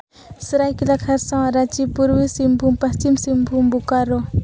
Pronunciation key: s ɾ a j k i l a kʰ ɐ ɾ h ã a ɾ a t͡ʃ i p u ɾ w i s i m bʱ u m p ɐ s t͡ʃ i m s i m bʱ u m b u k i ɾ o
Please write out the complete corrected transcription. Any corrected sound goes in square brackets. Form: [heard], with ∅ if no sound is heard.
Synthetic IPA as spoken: s ɾ a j k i l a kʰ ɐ ɾ [s] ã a ɾ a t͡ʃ i p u ɾ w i s i m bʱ u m p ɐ s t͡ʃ i m s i m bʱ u m b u k [a] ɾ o